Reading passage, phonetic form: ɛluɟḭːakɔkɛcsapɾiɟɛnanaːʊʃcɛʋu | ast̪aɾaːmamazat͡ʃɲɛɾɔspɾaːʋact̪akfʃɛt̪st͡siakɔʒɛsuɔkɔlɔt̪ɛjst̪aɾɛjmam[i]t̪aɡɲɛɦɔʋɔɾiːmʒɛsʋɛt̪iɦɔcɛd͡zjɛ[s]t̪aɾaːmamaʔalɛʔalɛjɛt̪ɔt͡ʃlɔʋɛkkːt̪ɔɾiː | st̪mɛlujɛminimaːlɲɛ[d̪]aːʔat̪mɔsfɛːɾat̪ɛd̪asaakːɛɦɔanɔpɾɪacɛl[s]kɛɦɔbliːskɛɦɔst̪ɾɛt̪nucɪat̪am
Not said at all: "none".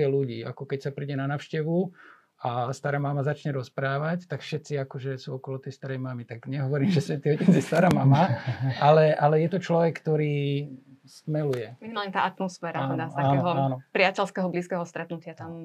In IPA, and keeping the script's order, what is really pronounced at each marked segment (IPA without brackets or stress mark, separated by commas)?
i, s, t̪, s